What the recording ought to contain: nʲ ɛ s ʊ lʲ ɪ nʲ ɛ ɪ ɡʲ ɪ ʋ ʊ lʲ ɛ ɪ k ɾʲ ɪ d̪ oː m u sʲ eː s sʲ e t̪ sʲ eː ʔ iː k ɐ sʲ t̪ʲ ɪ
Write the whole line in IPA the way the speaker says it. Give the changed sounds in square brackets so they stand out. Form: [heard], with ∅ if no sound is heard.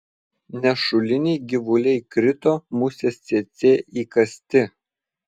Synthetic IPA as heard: nʲ ɛ [ʃ] ʊ lʲ ɪ nʲ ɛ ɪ ɡʲ ɪ ʋ ʊ lʲ ɛ ɪ k ɾʲ ɪ [t̪] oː m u sʲ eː s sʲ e t̪ sʲ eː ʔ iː k ɐ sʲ t̪ʲ ɪ